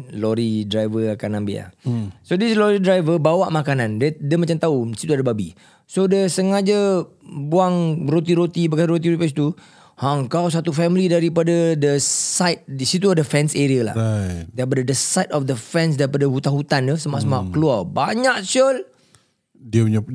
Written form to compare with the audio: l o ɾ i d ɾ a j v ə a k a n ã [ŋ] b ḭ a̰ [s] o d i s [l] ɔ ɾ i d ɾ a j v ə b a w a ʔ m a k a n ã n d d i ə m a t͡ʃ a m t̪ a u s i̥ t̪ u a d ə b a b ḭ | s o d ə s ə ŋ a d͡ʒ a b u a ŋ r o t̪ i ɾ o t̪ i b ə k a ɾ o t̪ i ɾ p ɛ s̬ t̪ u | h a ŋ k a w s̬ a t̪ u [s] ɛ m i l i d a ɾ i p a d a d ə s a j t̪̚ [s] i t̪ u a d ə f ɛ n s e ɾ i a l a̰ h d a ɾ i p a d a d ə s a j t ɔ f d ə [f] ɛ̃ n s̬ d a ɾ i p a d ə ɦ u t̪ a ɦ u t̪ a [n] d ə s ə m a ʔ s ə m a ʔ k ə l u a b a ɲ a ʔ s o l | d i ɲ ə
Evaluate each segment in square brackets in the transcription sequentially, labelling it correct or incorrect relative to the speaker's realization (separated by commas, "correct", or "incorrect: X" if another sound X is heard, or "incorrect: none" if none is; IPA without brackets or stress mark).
incorrect: m, correct, correct, incorrect: f, correct, correct, correct